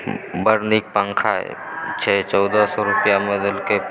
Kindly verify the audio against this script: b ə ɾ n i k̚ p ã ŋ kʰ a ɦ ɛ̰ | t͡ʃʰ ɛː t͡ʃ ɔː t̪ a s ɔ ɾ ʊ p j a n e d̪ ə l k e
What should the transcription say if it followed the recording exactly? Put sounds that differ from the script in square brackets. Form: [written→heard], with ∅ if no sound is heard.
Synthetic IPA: b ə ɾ n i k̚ p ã ŋ kʰ a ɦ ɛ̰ | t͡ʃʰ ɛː t͡ʃ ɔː [t̪→d̪] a s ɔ ɾ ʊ p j a [n→m] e d̪ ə l k e